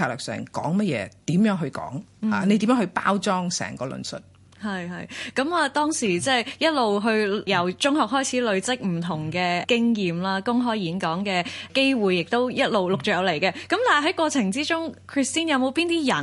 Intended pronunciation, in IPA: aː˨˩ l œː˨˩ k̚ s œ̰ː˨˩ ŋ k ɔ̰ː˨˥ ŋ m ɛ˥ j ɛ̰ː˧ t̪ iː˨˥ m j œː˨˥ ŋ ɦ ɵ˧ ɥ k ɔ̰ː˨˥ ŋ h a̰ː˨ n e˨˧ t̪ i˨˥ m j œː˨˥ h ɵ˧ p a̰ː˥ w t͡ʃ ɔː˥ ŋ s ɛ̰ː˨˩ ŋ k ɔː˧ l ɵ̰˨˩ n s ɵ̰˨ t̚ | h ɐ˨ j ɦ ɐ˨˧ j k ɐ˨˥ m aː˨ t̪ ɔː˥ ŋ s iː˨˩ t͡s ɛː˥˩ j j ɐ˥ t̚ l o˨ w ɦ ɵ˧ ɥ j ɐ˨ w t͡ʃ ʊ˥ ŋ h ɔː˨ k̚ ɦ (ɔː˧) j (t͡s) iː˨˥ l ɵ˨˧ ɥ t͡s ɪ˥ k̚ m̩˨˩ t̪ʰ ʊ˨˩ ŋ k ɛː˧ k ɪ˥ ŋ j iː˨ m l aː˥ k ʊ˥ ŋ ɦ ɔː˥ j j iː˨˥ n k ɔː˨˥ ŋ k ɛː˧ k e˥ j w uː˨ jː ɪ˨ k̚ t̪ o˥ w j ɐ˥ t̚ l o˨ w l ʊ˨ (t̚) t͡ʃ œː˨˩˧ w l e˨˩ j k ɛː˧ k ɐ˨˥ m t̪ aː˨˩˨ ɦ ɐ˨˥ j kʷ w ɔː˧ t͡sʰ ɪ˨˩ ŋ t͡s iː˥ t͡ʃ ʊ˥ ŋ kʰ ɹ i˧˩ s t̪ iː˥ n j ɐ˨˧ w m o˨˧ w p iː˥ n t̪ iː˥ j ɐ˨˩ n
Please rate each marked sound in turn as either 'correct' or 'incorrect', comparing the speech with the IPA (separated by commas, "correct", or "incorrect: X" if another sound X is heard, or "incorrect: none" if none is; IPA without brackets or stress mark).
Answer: incorrect: ɔː˥, incorrect: t͡sʰ, incorrect: k̚